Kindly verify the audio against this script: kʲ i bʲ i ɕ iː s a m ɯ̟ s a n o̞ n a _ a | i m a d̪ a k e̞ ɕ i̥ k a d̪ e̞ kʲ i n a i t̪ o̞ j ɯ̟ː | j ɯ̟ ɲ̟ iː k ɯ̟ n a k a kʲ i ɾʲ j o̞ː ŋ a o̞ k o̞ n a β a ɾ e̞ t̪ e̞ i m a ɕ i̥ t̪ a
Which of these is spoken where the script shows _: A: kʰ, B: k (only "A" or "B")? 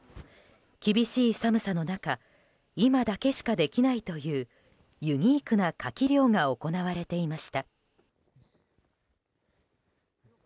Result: B